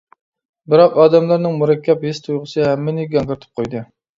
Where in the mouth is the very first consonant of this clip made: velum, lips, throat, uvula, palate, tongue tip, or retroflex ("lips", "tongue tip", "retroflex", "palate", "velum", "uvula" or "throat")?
lips